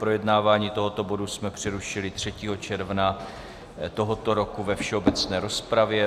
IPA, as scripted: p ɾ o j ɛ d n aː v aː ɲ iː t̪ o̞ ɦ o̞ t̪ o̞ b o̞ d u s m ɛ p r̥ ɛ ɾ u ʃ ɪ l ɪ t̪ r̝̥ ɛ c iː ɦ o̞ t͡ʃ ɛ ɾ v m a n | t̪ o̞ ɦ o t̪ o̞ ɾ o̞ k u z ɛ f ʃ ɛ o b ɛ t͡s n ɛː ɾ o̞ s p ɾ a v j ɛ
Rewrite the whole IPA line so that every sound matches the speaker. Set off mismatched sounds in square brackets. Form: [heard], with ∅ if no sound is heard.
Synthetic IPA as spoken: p ɾ o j ɛ d n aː v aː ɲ iː t̪ o̞ ɦ o̞ t̪ o̞ b o̞ d u s m ɛ p r̥ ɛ ɾ u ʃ ɪ l ɪ t̪ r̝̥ ɛ c iː ɦ o̞ t͡ʃ ɛ ɾ v [n] a [∅] | t̪ o̞ ɦ o t̪ o̞ ɾ o̞ k u [v] ɛ f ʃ ɛ o b ɛ t͡s n ɛː ɾ o̞ s p ɾ a v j ɛ